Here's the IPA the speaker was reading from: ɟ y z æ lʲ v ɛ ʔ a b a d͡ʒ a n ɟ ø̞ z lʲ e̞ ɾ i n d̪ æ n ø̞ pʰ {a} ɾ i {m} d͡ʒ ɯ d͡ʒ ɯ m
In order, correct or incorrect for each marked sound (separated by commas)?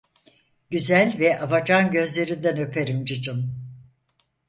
incorrect, correct